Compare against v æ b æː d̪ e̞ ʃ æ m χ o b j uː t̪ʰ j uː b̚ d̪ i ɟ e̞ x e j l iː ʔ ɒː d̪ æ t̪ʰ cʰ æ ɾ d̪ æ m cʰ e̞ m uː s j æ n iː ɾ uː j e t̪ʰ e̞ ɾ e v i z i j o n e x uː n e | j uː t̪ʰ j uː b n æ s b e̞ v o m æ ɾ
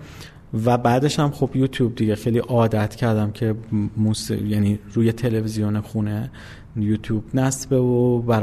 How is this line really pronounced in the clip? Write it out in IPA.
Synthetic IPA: v æ b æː d̪ e̞ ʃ æ m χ o b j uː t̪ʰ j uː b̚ d̪ i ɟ e̞ x e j l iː ʔ ɒː d̪ æ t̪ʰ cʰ æ ɾ d̪ æ m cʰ e̞ m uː s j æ n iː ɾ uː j e t̪ʰ e̞ l e v i z i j o n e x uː n e | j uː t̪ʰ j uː b n æ s b e̞ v o b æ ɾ